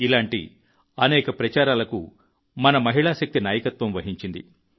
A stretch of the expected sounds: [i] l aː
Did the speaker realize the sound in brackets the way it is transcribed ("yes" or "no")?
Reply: yes